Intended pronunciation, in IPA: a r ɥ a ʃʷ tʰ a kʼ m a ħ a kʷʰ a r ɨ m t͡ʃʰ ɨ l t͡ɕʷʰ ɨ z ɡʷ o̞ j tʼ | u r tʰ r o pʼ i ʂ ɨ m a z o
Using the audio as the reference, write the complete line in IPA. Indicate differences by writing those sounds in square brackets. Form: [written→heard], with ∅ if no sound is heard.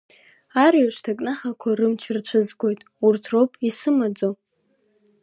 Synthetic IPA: a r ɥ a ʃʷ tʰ a kʼ [m→n] a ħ a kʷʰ a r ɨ m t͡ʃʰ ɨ [l→r] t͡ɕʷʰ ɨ z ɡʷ o̞ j tʼ | u r tʰ r o pʼ i [ʂ→s] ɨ m a [z→d͡z] o